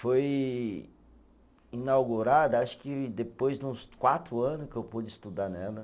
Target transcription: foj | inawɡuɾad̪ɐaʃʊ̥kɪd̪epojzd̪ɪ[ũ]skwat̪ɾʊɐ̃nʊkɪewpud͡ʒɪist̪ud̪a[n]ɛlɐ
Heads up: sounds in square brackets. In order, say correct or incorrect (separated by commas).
correct, correct